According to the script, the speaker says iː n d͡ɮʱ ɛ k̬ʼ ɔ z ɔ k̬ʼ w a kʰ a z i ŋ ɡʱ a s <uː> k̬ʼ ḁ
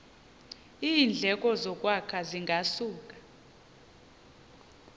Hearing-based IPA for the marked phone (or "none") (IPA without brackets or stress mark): uː